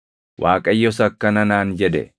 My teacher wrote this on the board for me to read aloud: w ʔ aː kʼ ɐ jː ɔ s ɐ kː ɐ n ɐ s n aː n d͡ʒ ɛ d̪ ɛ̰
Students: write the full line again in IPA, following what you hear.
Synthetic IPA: w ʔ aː kʼ ɐ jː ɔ s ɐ kː ɐ n ɐ n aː n d͡ʒ ɛ d̪ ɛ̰